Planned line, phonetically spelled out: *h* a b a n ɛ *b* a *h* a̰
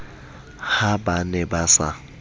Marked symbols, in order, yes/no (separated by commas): yes, yes, no